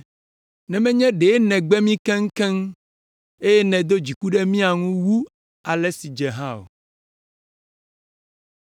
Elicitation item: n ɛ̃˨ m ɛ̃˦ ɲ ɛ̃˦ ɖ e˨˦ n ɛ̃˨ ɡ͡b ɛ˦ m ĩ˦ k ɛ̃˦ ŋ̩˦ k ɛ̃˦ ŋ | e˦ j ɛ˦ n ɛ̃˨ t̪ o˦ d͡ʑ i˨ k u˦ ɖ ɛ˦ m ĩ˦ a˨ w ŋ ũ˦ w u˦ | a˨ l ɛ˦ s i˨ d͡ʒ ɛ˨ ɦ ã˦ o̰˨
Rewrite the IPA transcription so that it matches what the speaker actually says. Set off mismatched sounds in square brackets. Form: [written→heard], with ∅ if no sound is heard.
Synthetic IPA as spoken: n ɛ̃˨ m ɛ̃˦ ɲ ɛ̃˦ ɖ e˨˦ n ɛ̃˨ ɡ͡b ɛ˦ m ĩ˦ k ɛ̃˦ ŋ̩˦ k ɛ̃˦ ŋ | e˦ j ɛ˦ n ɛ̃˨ [t̪→d̪] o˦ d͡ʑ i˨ k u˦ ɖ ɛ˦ m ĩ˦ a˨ [w→∅] ŋ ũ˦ w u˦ | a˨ l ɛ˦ s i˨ d͡ʒ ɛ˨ ɦ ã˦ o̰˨